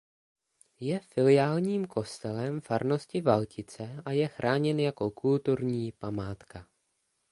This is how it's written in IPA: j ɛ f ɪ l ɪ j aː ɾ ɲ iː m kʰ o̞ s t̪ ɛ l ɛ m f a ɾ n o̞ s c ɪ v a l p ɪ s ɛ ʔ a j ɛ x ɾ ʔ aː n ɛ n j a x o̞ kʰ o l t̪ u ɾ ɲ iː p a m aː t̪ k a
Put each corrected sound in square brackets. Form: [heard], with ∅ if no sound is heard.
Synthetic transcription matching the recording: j ɛ f ɪ l ɪ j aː [l] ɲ iː m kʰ o̞ s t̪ ɛ l ɛ m f a ɾ n o̞ s c ɪ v a l [c] ɪ [t͡s] ɛ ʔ a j ɛ x ɾ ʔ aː [ɲ] ɛ n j a [k] o̞ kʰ [u] l t̪ u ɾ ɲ iː p a m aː t̪ k a